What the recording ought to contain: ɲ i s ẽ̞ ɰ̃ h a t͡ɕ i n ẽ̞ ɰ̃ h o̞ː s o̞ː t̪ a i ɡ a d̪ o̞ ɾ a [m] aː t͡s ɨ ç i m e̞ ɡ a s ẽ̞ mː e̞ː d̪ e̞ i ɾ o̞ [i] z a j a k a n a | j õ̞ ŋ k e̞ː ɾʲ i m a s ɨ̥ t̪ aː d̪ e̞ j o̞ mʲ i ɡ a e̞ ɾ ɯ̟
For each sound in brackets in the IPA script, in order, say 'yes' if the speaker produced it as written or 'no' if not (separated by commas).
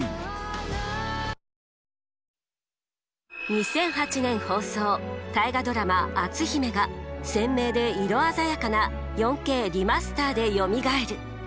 yes, no